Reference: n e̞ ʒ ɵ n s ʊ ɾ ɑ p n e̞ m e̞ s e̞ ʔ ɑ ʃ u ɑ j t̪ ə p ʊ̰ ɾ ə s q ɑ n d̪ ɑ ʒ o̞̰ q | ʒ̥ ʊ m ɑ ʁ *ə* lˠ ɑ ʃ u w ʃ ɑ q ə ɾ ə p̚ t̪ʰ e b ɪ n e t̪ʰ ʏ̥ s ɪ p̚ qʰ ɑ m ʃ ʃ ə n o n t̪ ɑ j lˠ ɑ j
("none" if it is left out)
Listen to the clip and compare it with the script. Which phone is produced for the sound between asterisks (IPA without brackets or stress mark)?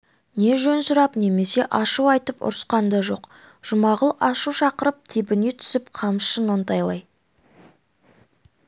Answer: ə